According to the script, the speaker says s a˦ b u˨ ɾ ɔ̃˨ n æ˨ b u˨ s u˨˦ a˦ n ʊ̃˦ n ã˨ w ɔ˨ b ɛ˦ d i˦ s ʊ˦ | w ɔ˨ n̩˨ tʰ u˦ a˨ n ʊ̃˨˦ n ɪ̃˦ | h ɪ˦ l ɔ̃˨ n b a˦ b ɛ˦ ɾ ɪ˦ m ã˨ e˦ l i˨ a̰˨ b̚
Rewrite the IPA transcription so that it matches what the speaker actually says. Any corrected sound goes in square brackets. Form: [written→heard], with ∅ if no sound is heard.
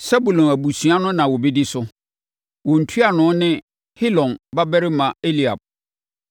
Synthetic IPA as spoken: s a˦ b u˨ [ɾ→l] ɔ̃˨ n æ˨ b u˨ s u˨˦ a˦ n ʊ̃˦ n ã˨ w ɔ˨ b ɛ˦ d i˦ s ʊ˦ | w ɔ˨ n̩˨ tʰ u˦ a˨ n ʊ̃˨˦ n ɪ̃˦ | h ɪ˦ l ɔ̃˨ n b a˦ b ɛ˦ ɾ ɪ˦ m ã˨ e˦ l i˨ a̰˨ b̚

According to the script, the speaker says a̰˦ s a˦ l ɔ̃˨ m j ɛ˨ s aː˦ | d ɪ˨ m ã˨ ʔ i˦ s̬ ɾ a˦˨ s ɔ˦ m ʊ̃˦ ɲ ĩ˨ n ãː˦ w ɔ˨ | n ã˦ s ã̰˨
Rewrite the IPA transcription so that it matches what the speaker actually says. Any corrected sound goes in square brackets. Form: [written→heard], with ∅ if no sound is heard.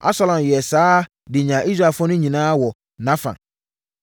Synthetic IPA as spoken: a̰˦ s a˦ l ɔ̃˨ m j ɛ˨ s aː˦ | d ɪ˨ [m→ɲ] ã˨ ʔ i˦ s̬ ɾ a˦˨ [s→f] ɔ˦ [m→n] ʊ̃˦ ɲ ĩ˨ n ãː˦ w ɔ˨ | n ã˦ [s→f] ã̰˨

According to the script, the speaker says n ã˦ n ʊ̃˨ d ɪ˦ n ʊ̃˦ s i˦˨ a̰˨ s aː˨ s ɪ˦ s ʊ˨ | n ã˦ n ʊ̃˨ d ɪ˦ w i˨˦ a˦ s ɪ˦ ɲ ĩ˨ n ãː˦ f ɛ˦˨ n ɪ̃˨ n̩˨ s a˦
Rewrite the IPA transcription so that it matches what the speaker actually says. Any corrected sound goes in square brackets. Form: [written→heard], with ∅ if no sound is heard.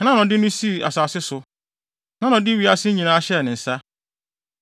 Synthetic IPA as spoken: n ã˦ n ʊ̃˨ d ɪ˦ n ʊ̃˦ s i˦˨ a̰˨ s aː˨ s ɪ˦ s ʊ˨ | n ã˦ n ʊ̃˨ d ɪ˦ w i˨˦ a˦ s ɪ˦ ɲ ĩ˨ n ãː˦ [f→ɕ] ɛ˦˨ n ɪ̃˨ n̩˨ s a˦

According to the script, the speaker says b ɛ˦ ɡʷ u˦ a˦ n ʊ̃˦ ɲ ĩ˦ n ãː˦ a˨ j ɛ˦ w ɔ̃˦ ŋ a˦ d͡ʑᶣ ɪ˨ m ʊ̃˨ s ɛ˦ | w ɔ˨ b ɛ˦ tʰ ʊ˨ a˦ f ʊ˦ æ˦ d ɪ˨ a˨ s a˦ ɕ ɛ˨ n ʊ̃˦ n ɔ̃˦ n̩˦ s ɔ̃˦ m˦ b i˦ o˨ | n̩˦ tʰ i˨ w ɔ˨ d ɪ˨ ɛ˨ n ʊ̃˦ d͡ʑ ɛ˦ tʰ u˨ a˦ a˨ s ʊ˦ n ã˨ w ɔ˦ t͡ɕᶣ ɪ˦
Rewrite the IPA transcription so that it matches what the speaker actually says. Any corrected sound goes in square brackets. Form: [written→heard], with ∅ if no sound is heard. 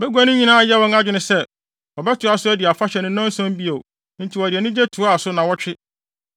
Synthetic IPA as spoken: b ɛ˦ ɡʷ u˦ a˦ n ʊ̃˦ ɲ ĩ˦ n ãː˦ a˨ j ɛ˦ w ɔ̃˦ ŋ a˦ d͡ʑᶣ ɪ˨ [m→n] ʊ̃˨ s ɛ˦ | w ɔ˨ b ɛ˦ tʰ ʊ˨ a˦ [f→s] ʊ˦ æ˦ d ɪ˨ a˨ [s→f] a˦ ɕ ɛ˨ n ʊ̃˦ n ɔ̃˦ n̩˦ s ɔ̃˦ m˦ b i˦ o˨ | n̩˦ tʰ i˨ w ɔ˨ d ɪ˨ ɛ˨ n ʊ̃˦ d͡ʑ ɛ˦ tʰ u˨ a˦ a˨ s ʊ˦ n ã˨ w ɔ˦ t͡ɕᶣ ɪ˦

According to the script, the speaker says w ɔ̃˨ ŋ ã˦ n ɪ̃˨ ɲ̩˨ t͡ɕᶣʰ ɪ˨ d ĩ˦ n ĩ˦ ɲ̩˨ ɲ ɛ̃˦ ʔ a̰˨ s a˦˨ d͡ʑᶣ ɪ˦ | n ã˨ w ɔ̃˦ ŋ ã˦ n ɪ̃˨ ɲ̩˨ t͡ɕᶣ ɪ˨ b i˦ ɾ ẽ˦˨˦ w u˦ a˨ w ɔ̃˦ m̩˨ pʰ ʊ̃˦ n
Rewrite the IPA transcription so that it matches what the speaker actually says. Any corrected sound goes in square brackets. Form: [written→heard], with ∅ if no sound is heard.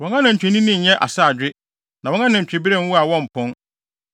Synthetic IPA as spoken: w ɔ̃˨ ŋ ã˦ n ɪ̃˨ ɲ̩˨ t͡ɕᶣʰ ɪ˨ [d→n] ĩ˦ n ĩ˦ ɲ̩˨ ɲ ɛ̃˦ ʔ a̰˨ s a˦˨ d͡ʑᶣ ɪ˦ | n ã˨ w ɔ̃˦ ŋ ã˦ n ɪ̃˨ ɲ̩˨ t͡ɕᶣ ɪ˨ b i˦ ɾ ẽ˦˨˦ w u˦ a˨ w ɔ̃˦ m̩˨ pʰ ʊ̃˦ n

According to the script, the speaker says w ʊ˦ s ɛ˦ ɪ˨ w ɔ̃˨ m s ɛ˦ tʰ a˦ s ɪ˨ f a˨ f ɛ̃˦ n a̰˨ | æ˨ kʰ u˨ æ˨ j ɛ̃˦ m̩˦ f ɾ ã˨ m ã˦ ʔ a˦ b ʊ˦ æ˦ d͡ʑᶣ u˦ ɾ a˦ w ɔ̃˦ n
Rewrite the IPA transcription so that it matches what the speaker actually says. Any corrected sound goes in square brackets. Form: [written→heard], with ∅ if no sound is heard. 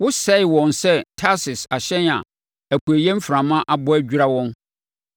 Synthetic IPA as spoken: w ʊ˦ s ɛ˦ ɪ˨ w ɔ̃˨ [m→n] s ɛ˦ tʰ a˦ s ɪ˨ [f→s] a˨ [f→ɕ] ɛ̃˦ n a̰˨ | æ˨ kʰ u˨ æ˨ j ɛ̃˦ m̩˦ f ɾ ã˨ m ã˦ ʔ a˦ b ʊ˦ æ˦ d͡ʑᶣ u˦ ɾ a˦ w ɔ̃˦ n

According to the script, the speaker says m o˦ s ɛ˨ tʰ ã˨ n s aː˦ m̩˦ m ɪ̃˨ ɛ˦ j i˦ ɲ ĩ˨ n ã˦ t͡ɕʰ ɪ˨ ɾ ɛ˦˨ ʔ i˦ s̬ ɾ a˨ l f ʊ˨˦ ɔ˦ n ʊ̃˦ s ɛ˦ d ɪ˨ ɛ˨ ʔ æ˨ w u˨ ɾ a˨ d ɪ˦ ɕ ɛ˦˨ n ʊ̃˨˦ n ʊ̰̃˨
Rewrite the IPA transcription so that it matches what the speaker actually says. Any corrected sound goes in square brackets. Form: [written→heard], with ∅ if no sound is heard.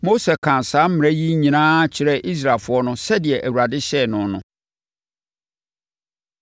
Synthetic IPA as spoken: m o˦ s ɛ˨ [tʰ→kʰ] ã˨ n s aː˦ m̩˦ m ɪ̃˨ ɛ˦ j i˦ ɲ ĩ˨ n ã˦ t͡ɕʰ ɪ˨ ɾ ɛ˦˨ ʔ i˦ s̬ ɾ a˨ l f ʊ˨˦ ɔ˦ n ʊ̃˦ s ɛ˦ d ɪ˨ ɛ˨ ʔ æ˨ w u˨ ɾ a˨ d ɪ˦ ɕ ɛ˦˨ n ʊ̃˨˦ n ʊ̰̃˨

